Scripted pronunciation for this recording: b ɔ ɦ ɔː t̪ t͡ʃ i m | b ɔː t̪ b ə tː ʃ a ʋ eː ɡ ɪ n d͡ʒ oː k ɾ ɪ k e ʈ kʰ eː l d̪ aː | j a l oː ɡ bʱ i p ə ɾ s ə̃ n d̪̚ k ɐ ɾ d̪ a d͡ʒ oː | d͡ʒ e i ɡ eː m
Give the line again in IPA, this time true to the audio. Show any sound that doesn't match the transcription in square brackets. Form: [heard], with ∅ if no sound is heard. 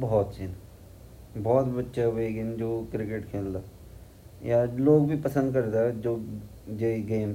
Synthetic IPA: b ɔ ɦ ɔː t̪ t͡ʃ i [n] | b ɔː t̪ b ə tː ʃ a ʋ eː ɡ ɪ n d͡ʒ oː k ɾ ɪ k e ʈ kʰ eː l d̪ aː | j a l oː ɡ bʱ i p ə [∅] s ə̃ n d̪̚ k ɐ ɾ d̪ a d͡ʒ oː | d͡ʒ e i ɡ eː m